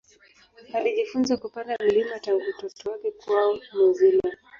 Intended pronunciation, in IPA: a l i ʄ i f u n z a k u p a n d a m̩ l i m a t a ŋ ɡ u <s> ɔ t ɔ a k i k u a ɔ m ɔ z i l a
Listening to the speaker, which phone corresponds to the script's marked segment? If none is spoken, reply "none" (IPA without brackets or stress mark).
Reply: t